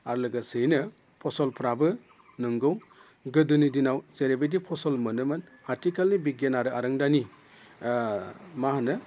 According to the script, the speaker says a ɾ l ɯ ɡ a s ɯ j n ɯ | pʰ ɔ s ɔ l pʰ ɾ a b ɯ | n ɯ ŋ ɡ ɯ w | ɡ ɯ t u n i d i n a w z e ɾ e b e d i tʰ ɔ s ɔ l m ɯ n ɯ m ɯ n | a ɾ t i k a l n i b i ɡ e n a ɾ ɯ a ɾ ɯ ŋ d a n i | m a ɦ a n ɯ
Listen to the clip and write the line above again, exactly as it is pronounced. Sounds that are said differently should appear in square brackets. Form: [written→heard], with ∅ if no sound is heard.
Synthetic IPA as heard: a ɾ l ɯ ɡ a s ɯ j n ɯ | pʰ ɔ s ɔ l pʰ ɾ a b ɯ | n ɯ ŋ ɡ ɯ w | ɡ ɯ [t→d] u n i d i n a w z e ɾ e b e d i [tʰ→pʰ] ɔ s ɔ l m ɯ n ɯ m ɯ n | a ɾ t i k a l n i b i ɡ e n a ɾ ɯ a ɾ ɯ ŋ d a n i | m a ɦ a n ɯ